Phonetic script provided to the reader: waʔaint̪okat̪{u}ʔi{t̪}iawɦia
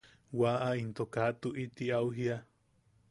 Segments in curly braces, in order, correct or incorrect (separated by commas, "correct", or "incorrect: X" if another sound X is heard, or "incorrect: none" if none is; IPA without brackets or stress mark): correct, correct